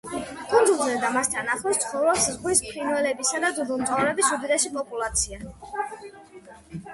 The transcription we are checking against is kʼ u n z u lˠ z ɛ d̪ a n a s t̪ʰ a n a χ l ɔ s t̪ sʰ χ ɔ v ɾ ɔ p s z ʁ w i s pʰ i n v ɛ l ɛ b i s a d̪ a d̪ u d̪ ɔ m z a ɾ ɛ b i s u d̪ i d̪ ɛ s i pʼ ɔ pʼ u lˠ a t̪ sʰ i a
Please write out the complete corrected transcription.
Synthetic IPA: kʼ u n z u lˠ z ɛ d̪ a m a s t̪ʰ a n a χ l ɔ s t̪ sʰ χ ɔ v ɾ ɔ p s z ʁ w i s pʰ i n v ɛ l ɛ b i s a d̪ a d̪ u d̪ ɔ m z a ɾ ɛ b i s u d̪ i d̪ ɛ ʃ i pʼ ɔ pʼ u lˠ a t̪ sʰ i a